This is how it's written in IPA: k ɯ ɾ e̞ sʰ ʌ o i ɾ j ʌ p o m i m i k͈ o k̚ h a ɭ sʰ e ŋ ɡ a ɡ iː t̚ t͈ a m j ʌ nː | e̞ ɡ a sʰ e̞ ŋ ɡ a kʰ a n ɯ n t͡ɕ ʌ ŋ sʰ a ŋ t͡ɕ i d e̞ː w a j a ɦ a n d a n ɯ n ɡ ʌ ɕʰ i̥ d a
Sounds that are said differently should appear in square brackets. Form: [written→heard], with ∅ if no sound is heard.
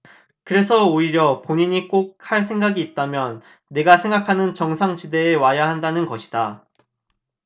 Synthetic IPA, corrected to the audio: k ɯ ɾ e̞ sʰ ʌ o i ɾ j ʌ p o [m→ɲ] i [m→ɲ] i k͈ o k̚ h a ɭ sʰ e ŋ ɡ a ɡ iː t̚ t͈ a m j ʌ nː | e̞ ɡ a sʰ e̞ ŋ ɡ a kʰ a n ɯ n t͡ɕ ʌ ŋ sʰ a ŋ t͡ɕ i d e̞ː w a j a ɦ a n d a n ɯ n ɡ ʌ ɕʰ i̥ d a